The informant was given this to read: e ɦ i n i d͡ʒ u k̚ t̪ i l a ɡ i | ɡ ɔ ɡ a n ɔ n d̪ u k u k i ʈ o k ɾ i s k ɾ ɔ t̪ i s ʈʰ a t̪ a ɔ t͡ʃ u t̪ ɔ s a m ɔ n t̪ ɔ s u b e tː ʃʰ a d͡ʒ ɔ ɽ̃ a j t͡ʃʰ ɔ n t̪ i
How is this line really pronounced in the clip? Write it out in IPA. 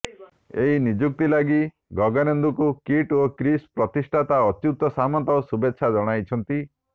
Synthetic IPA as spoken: e ɦ i n i d͡ʒ u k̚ t̪ i l a ɡ i | ɡ ɔ ɡ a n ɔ n d̪ u k u k i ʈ o k ɾ i s p ɾ ɔ t̪ i s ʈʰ a t̪ a ɔ t͡ʃ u t̪ ɔ s a m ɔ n t̪ ɔ s u b e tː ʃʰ a d͡ʒ ɔ ɽ̃ a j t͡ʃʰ ɔ n t̪ i